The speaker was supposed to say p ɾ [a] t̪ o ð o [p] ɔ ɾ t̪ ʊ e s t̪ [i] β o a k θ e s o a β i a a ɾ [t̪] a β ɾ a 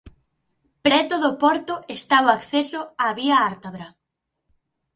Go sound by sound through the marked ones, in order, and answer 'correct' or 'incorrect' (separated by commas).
incorrect, correct, incorrect, correct